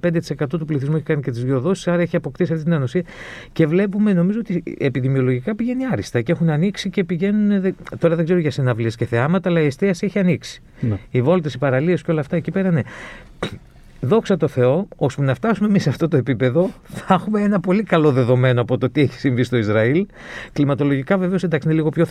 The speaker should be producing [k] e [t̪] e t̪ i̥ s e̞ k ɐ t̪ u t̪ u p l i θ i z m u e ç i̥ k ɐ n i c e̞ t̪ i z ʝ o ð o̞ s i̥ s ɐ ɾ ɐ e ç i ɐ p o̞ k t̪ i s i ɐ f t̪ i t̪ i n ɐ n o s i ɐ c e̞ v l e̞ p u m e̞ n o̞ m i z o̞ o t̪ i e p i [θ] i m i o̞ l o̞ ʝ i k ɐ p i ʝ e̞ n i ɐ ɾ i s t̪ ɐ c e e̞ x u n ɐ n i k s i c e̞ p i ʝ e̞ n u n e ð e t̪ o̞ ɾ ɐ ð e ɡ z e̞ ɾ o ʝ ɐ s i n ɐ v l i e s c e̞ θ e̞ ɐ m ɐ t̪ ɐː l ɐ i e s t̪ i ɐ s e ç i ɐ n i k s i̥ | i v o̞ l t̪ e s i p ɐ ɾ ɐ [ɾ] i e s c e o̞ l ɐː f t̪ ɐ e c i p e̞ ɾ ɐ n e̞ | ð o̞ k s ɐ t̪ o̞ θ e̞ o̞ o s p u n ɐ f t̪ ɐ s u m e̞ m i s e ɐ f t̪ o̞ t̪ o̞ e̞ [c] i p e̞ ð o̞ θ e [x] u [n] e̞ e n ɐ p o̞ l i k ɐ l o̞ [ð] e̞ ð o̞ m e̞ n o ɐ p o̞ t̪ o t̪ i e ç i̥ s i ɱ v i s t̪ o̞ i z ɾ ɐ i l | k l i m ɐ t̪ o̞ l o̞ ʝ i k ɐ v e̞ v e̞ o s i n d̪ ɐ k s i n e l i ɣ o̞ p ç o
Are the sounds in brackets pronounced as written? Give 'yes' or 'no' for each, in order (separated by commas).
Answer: no, no, no, no, no, yes, no, yes